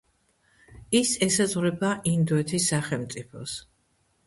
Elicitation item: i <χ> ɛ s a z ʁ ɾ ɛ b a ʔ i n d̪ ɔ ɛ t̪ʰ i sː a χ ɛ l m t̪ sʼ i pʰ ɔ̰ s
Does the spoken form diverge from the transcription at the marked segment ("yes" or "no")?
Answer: yes